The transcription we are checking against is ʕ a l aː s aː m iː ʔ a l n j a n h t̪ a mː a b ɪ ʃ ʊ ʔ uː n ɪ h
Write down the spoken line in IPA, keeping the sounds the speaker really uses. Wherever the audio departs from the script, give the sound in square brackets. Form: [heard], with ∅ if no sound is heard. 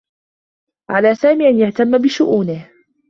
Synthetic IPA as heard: ʕ a l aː s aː m iː ʔ a [∅] n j a [∅] h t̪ a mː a b ɪ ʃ ʊ ʔ uː n ɪ h